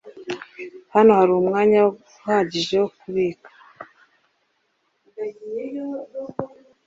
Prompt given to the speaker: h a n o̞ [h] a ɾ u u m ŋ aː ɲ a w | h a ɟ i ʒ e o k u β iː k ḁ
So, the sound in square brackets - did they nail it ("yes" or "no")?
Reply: yes